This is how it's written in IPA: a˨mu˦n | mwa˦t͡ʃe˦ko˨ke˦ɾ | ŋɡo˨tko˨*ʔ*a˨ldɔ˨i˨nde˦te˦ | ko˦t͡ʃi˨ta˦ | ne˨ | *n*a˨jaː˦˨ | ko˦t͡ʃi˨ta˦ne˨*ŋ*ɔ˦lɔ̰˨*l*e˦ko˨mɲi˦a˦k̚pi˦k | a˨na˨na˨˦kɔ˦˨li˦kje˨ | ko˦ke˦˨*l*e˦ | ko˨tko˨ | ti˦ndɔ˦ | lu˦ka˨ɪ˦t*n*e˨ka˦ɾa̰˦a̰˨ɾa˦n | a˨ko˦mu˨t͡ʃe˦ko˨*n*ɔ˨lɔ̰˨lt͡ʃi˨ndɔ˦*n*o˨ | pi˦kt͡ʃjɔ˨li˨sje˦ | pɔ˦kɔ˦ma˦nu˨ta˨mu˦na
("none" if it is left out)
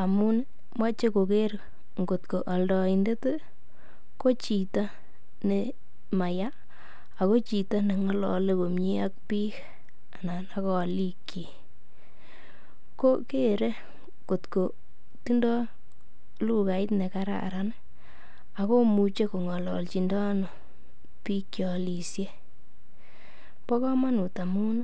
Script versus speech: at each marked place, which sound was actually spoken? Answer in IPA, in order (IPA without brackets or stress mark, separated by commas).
ʔ, m, ŋ, l, ɾ, n, ŋ, n